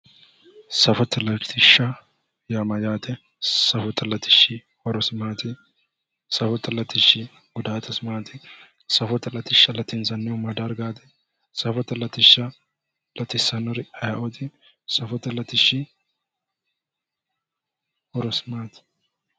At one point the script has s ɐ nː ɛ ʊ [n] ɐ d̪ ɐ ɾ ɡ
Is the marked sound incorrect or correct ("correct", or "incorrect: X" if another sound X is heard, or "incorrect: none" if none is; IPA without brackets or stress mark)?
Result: incorrect: m